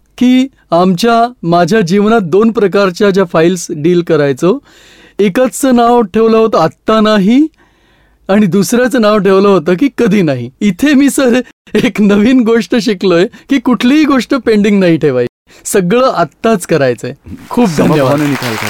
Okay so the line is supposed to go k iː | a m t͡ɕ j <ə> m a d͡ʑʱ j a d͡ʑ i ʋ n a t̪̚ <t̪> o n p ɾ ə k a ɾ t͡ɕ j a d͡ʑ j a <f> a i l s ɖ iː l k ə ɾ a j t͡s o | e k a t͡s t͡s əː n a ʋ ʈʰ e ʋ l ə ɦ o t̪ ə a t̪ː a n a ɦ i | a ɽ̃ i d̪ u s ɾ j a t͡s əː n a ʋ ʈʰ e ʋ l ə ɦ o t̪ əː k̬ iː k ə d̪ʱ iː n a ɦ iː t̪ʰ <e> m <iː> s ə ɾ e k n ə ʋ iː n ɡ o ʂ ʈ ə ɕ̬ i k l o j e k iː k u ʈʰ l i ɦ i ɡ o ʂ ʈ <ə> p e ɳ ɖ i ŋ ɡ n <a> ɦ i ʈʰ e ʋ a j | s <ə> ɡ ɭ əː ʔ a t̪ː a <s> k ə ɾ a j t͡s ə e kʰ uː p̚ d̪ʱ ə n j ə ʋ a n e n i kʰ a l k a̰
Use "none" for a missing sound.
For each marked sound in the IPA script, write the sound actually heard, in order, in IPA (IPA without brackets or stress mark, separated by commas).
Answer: a, d̪, f, e, iː, ə, a, ə, t͡s